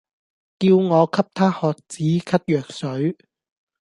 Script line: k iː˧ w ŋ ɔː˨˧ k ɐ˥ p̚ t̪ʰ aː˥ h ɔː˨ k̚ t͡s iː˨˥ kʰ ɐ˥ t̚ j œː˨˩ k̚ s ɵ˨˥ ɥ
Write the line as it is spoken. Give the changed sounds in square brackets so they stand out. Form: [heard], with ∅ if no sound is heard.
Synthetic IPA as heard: k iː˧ w ŋ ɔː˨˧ [kʰ] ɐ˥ p̚ t̪ʰ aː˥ h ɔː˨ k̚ t͡s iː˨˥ kʰ ɐ˥ t̚ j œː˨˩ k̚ s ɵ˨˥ ɥ